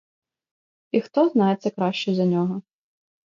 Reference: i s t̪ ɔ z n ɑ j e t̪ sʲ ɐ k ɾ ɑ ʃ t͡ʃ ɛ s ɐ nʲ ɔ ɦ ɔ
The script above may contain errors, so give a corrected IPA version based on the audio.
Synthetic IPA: i x t̪ ɔ z n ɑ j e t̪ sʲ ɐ k ɾ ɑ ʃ t͡ʃ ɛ z ɐ nʲ ɔ ɦ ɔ